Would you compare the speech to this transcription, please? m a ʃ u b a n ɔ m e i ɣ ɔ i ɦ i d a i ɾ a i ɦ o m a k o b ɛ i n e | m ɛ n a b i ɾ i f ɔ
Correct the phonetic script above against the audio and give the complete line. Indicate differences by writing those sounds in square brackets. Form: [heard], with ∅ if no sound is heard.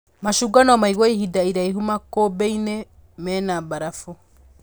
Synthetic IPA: m a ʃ u [ɡ] a n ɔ m [a] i ɣ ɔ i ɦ i d a i ɾ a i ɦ [u] m a k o b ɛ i n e | m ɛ n a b [a] ɾ [a] f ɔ